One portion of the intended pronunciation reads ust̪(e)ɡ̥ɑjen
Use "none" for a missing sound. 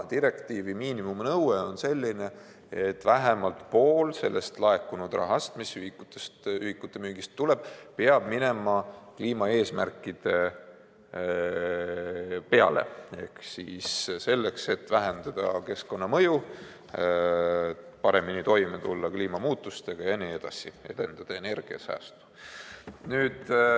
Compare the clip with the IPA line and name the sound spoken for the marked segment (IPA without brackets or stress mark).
e